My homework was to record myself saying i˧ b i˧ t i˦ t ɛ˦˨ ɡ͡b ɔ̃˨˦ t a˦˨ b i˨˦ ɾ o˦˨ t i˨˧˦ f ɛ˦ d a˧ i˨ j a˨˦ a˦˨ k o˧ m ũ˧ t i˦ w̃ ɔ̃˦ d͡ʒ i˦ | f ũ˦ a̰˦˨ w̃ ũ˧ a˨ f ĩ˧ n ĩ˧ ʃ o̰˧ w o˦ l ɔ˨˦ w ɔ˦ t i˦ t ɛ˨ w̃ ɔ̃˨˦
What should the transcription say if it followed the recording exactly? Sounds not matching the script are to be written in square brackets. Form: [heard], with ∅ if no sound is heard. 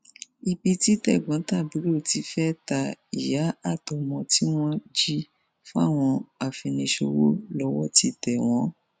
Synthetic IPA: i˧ b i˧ t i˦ t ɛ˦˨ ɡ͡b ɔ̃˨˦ t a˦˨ b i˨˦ ɾ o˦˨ t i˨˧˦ f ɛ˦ [t] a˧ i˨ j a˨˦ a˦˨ [t] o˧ m [ɔ̃˧] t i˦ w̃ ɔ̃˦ d͡ʒ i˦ | f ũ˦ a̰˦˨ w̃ [ɔ̃˧] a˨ f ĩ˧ n ĩ˧ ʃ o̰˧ w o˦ l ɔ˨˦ w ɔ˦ t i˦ t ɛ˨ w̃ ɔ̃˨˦